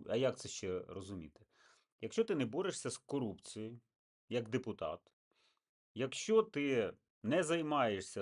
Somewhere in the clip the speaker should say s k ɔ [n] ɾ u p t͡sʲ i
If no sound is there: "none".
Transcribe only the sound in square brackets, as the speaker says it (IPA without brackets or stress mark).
none